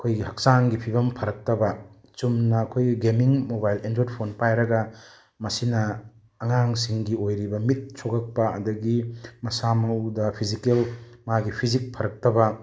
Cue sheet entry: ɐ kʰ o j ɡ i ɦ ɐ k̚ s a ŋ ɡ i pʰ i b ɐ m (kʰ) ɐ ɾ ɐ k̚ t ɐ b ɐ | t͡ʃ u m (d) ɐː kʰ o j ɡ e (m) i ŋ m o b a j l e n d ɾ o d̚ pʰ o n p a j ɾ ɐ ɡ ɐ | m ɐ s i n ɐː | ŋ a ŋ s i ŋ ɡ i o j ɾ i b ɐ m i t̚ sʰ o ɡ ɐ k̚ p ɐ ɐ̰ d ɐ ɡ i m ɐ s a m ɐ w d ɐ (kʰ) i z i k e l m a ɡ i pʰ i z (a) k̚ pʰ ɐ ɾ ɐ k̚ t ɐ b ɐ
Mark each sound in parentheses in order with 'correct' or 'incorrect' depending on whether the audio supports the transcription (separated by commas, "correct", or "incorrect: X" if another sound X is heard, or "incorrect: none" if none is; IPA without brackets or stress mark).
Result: incorrect: pʰ, incorrect: n, correct, incorrect: pʰ, incorrect: i